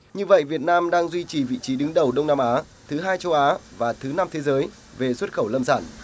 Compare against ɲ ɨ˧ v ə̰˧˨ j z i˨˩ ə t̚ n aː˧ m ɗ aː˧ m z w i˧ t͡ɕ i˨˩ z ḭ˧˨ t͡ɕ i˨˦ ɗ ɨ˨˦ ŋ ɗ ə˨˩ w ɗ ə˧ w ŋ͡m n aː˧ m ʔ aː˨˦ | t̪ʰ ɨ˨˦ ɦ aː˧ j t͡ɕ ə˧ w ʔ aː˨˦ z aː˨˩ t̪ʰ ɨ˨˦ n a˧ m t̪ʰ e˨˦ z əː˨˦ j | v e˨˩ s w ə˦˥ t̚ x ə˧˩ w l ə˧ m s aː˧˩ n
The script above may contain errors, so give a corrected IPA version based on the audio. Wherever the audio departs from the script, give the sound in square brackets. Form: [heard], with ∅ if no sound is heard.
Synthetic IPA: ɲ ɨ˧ v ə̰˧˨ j [v] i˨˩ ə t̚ n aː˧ m ɗ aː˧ [ŋ] z w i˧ t͡ɕ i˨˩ [v] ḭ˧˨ t͡ɕ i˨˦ ɗ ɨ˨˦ ŋ ɗ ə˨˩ w ɗ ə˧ w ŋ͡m n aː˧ m ʔ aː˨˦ | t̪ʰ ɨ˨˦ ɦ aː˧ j t͡ɕ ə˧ w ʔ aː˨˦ [v] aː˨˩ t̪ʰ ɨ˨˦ n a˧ m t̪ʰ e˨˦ z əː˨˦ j | v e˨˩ s w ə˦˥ t̚ x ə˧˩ w l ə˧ m s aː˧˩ n